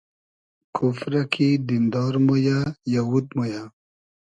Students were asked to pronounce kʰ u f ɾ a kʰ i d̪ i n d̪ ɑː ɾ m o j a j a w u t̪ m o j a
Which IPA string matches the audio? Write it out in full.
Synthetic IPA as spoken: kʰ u f ɾ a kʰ i d̪ i n d̪ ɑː ɾ m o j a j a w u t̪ m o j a

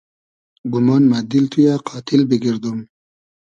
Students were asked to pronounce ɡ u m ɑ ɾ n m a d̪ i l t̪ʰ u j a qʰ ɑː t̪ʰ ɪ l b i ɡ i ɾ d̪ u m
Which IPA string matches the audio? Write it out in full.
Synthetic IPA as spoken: ɡ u m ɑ n m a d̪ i l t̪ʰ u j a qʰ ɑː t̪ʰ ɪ l b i ɡ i ɾ d̪ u m

